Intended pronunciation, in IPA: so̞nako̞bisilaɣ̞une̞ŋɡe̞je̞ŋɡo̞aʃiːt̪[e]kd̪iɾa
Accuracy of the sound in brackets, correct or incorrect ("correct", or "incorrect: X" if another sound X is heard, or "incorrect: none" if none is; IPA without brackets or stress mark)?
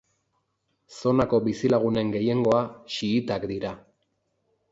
incorrect: a